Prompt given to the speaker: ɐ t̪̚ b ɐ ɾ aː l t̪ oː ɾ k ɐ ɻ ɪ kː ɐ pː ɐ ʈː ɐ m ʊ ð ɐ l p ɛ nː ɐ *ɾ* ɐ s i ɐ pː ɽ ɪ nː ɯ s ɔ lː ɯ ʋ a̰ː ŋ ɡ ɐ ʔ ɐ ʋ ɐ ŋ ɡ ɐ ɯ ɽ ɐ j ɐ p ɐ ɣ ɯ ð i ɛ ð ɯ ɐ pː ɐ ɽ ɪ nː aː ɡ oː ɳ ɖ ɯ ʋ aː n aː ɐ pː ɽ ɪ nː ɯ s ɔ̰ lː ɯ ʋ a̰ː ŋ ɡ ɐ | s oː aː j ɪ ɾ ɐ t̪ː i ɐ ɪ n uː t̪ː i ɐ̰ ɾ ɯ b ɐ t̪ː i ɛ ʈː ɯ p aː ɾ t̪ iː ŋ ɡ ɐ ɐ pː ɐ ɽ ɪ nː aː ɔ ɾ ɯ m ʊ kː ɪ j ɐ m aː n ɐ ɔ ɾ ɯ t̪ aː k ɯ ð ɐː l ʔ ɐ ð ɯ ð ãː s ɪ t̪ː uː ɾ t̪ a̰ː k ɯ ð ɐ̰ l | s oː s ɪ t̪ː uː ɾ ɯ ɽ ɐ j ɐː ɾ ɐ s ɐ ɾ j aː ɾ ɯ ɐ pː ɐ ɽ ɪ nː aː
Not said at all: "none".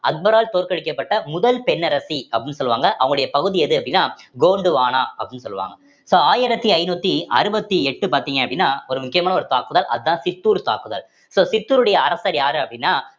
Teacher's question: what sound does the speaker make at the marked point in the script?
ɾ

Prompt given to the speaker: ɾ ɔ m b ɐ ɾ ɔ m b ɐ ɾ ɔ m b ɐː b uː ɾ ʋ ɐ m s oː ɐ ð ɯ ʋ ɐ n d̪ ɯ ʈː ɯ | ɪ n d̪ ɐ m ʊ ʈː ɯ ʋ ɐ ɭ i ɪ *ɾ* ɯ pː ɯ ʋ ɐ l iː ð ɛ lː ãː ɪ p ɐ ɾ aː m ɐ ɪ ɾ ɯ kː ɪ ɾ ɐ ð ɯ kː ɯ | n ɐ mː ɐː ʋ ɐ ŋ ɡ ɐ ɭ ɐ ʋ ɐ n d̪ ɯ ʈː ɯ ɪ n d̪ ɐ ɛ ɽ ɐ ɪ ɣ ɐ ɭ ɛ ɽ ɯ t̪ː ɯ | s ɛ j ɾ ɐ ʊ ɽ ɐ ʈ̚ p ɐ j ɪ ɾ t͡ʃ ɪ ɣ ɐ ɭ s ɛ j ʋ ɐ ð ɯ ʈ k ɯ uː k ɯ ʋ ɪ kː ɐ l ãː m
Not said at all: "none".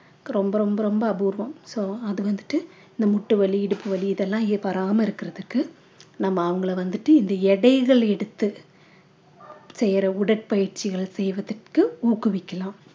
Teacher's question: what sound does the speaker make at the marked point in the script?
ɽ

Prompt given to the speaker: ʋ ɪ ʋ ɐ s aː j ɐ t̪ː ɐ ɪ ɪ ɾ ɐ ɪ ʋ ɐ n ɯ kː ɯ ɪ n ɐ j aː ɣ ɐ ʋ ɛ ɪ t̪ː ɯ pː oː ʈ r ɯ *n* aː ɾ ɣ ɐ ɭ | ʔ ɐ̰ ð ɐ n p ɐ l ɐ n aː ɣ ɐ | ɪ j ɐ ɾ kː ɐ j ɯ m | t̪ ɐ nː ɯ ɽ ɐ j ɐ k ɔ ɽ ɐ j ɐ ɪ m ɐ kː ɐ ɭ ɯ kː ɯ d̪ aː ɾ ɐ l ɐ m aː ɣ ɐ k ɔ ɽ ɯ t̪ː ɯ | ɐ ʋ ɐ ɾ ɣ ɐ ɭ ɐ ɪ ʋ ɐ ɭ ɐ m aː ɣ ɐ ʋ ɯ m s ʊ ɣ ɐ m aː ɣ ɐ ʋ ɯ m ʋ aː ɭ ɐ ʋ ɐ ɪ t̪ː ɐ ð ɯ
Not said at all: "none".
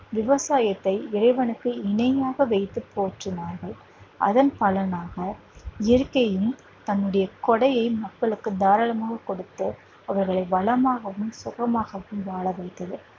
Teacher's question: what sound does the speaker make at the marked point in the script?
n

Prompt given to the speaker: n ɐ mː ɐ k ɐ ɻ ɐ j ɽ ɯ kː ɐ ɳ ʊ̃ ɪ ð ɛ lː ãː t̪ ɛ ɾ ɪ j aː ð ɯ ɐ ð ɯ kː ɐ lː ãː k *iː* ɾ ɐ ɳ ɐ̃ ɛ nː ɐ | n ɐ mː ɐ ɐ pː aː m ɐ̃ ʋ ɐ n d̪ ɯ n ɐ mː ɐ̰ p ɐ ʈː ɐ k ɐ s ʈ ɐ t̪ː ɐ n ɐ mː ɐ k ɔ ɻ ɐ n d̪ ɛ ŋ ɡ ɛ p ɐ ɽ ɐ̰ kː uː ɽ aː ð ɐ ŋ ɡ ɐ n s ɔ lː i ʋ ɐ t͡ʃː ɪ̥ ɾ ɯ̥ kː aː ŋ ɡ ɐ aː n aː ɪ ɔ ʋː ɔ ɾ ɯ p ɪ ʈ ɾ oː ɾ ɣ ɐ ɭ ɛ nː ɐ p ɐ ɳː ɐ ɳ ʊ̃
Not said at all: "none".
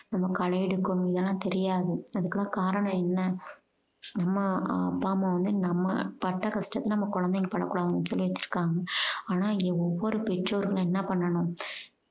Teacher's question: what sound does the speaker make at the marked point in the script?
aː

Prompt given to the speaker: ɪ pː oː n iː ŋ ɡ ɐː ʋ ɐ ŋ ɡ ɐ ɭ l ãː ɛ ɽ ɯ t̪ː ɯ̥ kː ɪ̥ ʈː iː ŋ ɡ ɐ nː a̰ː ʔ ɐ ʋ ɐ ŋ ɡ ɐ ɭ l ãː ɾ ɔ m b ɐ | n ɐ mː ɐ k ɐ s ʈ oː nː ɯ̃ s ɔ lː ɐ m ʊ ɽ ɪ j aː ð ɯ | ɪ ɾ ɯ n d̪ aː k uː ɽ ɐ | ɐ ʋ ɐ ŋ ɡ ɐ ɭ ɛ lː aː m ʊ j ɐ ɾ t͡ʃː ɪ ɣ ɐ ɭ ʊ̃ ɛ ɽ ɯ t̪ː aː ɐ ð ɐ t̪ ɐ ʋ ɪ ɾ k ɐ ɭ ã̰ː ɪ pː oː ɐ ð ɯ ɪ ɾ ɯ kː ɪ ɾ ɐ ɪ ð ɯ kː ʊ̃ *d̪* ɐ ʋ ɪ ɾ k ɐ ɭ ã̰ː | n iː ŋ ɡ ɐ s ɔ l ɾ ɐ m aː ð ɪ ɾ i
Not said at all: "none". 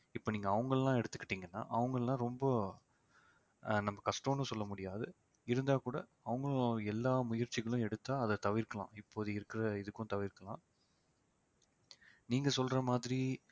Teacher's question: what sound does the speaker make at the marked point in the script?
t̪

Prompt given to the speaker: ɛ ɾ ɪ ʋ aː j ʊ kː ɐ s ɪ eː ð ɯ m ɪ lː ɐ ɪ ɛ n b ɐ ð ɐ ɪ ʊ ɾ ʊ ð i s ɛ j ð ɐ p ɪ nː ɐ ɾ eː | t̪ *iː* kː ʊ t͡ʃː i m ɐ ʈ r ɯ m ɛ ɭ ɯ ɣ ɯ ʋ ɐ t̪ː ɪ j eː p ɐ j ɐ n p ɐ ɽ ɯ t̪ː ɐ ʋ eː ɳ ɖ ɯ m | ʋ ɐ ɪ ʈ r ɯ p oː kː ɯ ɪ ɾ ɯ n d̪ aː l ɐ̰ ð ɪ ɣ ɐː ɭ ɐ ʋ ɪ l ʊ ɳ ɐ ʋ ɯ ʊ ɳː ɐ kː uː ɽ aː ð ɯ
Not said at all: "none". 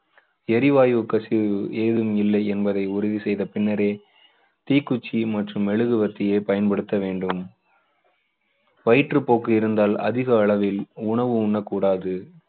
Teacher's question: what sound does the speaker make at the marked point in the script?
iː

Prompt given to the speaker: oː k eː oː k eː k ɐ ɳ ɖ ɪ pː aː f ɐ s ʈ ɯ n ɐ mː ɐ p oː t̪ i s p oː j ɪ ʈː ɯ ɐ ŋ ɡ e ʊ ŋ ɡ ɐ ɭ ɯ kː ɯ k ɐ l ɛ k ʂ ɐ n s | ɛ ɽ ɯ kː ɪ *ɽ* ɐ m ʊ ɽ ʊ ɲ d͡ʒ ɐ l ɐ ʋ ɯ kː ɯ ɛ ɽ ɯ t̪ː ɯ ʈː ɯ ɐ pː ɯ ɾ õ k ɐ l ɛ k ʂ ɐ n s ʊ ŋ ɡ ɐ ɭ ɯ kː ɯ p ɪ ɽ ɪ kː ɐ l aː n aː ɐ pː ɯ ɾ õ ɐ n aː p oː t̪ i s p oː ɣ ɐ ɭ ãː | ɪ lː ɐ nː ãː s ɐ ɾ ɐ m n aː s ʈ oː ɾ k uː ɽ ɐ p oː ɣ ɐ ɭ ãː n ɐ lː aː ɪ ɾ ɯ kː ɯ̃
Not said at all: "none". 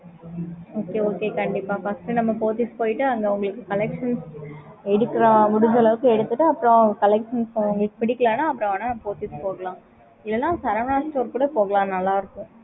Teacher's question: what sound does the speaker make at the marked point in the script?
ɾ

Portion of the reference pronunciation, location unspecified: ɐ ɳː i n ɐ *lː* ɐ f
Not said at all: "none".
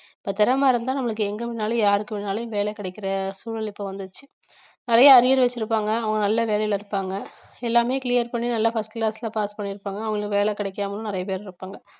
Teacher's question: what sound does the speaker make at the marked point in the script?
lː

